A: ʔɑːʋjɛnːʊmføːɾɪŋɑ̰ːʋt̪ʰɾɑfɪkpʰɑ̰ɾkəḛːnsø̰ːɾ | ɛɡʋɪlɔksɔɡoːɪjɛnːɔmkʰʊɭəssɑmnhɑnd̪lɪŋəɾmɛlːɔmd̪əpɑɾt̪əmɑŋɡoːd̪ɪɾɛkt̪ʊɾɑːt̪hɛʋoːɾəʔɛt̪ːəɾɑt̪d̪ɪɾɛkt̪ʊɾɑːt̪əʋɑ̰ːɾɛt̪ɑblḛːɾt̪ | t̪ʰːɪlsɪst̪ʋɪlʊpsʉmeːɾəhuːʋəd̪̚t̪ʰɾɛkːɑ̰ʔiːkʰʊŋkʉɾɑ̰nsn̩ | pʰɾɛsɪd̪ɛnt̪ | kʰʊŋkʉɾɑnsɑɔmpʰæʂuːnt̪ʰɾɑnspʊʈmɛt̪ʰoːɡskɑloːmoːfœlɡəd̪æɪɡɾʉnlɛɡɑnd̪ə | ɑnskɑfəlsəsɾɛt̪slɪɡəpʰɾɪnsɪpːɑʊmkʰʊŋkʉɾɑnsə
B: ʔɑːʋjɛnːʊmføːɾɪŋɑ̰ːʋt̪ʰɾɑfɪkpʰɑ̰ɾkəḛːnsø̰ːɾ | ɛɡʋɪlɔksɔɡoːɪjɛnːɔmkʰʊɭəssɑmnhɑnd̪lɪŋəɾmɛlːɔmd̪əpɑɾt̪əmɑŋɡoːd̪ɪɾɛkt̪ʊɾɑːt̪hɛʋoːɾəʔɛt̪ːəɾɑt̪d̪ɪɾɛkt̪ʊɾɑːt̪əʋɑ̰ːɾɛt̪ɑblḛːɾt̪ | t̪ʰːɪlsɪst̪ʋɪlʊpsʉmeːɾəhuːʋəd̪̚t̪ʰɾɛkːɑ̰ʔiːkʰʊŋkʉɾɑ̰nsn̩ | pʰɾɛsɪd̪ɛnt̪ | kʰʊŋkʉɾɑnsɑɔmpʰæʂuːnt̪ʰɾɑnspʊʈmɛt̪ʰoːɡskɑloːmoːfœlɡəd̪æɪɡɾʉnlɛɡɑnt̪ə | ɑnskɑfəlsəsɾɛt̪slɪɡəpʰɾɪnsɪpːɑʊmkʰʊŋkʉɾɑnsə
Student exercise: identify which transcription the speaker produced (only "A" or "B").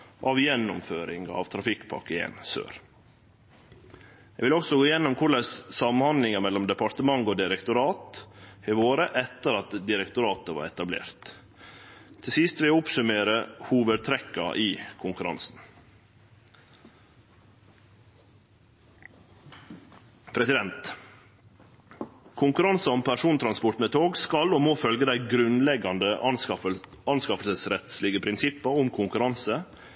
A